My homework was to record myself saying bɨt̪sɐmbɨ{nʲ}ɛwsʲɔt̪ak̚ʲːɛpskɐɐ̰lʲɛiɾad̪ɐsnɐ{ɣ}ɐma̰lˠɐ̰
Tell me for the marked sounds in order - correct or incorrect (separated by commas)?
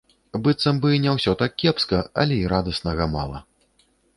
correct, correct